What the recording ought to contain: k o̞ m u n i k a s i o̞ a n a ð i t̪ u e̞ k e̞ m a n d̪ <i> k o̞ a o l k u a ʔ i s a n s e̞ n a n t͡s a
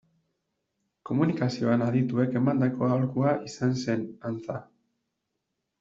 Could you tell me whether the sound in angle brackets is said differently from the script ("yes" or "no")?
yes